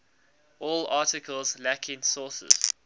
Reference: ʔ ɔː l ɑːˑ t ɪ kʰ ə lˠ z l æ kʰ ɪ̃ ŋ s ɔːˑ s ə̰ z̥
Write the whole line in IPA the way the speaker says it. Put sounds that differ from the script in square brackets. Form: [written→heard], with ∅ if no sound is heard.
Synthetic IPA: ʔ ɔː l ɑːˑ t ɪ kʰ ə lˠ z l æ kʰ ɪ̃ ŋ s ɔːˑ s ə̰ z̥

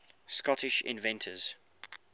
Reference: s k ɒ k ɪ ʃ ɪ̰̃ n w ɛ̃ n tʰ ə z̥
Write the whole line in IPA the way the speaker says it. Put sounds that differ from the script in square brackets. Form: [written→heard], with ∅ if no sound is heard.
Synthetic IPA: s k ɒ [k→t] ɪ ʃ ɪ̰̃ n [w→v] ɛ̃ n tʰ ə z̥

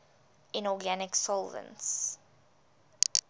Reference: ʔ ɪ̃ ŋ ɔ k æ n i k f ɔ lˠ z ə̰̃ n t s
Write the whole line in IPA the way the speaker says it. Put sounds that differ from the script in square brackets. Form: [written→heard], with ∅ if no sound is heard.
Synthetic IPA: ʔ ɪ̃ [ŋ→n] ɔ [k→ɡ] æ n [i→ɪ] k [f→s] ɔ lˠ [z→v] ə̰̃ n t s

